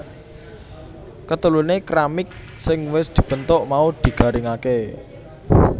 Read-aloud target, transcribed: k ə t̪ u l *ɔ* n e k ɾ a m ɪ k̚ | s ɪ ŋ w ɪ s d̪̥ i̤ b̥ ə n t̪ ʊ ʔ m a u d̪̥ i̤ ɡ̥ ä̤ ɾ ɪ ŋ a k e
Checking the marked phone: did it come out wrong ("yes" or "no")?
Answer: yes